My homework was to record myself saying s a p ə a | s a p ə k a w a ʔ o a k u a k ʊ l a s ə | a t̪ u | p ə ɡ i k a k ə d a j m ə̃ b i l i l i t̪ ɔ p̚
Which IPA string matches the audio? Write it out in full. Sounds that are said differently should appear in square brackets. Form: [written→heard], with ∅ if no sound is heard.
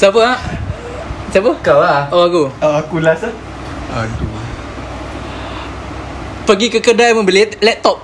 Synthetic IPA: s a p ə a | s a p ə k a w a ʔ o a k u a k [ʊ→u] l a s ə | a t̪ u | p ə ɡ i k [a→ə] k ə d a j m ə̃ b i l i l [i→ɛ] t̪ ɔ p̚